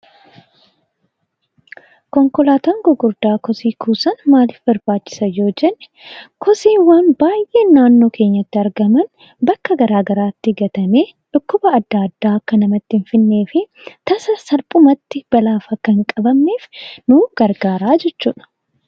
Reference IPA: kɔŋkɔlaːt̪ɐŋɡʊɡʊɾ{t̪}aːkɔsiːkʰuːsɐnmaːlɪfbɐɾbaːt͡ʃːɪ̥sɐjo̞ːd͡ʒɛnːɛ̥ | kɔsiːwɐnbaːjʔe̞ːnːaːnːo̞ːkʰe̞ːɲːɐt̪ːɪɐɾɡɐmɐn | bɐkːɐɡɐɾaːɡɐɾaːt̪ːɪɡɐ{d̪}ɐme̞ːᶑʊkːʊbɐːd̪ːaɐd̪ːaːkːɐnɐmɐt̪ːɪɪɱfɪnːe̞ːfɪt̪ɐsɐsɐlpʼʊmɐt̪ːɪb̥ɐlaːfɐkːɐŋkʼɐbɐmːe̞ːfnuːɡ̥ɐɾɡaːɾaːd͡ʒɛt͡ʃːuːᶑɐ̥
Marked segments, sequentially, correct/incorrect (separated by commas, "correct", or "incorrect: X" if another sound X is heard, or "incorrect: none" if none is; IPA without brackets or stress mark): incorrect: d̪, incorrect: t̪